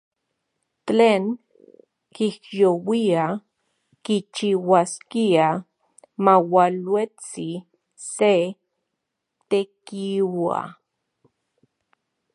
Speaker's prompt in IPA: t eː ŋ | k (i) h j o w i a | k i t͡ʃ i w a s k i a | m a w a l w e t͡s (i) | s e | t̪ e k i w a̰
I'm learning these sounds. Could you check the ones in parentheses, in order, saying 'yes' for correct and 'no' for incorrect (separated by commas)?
yes, yes